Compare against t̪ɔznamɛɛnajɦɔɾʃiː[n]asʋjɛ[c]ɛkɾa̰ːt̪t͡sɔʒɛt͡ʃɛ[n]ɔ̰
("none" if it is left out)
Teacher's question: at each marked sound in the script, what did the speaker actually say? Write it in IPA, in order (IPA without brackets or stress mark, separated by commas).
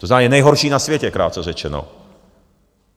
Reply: n, c, n